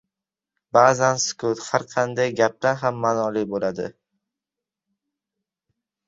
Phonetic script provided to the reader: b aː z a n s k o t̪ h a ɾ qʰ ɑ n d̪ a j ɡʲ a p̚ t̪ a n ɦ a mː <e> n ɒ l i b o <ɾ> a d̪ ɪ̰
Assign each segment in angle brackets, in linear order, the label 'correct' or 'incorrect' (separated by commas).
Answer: incorrect, incorrect